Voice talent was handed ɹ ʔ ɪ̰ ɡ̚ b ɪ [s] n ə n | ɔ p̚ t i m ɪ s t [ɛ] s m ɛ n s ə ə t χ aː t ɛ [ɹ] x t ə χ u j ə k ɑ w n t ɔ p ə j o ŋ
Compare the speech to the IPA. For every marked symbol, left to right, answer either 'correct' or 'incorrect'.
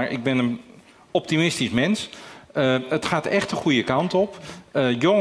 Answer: incorrect: none, incorrect: i, incorrect: none

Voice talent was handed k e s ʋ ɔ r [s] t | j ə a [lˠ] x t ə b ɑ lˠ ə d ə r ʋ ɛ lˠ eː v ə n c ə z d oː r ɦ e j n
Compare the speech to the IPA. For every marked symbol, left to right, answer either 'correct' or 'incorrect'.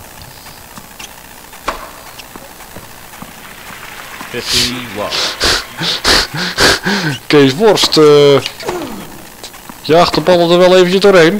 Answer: correct, incorrect: none

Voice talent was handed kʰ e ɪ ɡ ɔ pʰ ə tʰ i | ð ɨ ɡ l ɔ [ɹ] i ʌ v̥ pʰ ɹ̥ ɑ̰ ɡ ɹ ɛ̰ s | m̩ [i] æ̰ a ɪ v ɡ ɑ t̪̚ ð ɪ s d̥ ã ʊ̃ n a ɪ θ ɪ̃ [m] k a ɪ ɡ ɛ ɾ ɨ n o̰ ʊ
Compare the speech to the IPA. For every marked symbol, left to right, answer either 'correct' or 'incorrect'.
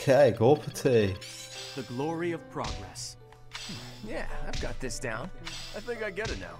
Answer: correct, incorrect: j, incorrect: ŋ

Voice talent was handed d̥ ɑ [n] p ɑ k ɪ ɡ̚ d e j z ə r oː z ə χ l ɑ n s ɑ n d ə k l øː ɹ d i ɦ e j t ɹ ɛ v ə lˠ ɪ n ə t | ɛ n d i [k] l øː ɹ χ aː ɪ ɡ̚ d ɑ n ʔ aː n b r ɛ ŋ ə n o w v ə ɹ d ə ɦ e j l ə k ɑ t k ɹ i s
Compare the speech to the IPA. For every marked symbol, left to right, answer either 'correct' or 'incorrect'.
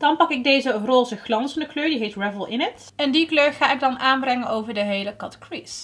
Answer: correct, correct

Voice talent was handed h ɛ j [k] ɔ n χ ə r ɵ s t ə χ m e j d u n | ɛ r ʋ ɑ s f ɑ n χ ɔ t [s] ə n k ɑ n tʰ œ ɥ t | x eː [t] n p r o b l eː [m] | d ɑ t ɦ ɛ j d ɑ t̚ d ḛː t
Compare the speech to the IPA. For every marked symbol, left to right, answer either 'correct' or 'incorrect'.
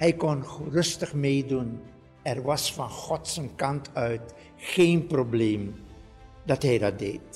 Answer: correct, correct, incorrect: none, correct

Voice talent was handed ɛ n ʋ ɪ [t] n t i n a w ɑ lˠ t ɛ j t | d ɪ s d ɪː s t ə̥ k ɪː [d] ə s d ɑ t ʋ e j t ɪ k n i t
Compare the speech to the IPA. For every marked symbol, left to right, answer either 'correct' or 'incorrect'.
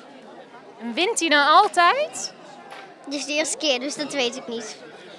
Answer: incorrect: none, correct

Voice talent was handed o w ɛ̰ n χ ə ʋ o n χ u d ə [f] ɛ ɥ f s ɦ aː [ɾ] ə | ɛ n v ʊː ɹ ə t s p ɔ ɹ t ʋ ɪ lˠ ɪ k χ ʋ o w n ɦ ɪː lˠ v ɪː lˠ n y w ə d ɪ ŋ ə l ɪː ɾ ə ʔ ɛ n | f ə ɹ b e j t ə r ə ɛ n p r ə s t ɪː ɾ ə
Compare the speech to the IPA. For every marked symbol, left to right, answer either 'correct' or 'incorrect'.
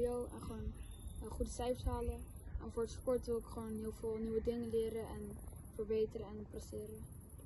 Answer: incorrect: s, incorrect: l

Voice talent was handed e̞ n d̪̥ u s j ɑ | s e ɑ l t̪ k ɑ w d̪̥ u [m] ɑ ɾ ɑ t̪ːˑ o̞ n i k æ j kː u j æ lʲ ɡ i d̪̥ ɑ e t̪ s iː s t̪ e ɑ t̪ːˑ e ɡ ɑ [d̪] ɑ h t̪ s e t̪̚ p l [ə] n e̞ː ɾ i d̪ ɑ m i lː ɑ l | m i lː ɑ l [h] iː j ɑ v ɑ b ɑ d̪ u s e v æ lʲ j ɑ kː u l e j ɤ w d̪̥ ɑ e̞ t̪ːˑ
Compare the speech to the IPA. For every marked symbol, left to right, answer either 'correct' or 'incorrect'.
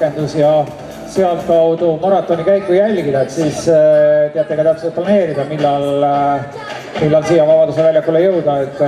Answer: correct, incorrect: t̪, incorrect: ɑ, incorrect: s

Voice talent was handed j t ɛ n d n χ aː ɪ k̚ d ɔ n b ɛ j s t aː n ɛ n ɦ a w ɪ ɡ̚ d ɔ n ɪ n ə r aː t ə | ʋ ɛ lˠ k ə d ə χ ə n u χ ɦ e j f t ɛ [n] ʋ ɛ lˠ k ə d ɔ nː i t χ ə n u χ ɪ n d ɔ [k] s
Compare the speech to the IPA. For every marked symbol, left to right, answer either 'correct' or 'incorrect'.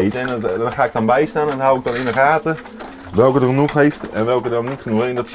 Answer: correct, incorrect: t

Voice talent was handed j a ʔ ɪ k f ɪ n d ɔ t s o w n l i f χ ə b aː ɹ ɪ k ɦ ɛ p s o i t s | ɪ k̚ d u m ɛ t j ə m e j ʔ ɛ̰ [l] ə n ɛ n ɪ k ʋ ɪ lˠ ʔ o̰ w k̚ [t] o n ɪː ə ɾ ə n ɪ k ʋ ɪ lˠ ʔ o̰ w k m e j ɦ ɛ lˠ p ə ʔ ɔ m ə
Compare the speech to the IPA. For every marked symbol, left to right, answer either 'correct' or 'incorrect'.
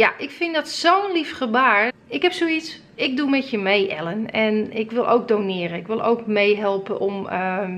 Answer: correct, incorrect: d

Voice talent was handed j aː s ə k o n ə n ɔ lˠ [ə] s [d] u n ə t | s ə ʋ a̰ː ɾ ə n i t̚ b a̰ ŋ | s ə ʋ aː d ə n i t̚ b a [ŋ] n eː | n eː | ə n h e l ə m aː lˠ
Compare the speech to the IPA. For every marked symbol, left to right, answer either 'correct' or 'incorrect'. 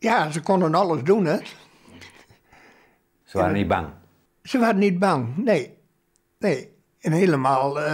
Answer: correct, correct, correct

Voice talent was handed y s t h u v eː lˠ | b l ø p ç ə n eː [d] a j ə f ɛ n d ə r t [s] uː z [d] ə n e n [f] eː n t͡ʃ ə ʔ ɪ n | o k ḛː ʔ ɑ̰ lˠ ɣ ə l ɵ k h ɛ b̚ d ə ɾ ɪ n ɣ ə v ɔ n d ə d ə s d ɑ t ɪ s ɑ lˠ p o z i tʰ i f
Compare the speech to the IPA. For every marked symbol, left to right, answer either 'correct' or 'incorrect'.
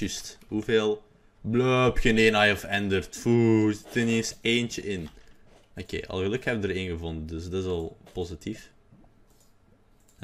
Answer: incorrect: n, incorrect: f, incorrect: t, incorrect: s

